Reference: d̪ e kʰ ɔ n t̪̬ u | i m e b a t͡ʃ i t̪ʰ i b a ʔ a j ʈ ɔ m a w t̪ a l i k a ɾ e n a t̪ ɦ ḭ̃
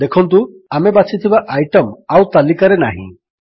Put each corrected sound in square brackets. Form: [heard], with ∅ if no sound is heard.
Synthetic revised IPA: d̪ e kʰ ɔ n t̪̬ u | [a] m e b a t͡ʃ i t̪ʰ i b a ʔ a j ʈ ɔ m a w t̪ a l i k a ɾ e n a [∅] ɦ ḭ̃